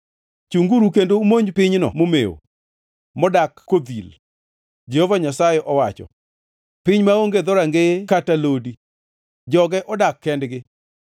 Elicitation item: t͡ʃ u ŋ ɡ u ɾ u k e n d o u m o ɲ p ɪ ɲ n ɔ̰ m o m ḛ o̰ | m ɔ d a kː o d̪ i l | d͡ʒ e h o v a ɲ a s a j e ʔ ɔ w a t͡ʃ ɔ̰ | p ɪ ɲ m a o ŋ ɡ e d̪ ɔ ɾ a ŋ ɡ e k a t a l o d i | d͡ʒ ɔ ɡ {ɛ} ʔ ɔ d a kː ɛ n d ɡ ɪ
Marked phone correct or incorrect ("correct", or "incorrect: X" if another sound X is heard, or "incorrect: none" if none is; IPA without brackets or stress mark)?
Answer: correct